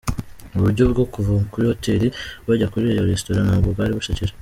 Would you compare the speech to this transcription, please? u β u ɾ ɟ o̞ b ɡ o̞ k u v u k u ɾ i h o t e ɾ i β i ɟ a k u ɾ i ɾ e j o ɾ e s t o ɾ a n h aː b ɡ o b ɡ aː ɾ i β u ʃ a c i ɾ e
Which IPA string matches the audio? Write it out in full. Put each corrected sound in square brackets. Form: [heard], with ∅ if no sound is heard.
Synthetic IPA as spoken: u β u ɾ ɟ o̞ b ɡ o̞ k u v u k u ɾ i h o t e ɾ i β [a] ɟ a k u ɾ i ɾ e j o ɾ e s t o ɾ a n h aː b ɡ o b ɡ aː ɾ i β u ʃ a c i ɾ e